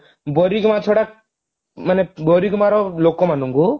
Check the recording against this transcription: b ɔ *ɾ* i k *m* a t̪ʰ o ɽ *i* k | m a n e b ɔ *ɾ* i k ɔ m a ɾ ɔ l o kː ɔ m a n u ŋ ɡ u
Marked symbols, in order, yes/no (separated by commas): yes, yes, no, yes